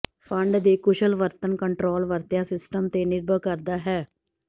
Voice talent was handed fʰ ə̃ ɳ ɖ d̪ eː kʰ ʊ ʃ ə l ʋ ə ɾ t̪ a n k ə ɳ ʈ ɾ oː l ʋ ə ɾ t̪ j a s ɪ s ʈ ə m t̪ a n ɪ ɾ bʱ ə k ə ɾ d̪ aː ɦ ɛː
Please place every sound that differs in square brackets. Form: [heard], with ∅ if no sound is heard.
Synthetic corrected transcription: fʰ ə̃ ɳ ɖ d̪ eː [k] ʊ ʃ ə l ʋ ə ɾ t̪ [ə] n k ə ɳ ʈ ɾ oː l ʋ ə ɾ t̪ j a s ɪ s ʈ ə m t̪ [e] n ɪ ɾ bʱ ə k ə ɾ d̪ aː ɦ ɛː